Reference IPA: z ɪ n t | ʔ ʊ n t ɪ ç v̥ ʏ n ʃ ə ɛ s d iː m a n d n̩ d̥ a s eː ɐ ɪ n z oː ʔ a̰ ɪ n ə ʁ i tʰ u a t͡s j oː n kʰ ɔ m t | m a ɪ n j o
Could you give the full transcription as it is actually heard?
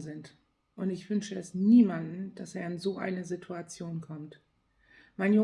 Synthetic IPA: z ɪ n t | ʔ ʊ n t ɪ ç v̥ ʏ n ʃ ə ɛ s n iː m a n d n̩ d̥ a s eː ɐ ɪ n z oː ʔ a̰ ɪ n ə z i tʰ u a t͡s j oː n kʰ ɔ m t | m a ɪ n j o